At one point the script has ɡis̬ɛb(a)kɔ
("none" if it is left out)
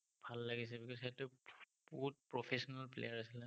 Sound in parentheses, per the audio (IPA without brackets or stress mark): i